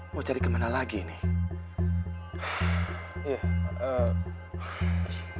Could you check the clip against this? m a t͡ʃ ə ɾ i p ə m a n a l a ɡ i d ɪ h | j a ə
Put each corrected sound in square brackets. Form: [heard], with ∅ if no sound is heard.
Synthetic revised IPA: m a t͡ʃ [a] ɾ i [k] ə m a n a l a ɡ i [n] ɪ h | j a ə